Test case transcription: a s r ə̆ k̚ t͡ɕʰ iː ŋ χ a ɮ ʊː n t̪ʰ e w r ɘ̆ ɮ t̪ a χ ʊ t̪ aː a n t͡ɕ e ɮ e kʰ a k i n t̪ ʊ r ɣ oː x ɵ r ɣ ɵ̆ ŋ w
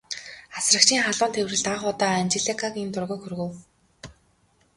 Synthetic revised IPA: a s r ə̆ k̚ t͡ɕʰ iː ŋ χ a ɮ ʊː n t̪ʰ e w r ɘ̆ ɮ t̪ a χ ʊ t̪ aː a n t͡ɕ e ɮ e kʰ a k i n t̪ ʊ r ɣ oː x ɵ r ɣ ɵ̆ w